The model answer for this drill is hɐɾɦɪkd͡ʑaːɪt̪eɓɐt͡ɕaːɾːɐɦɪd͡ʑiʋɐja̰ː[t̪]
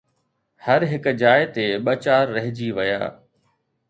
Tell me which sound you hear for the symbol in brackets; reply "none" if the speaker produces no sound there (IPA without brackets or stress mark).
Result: none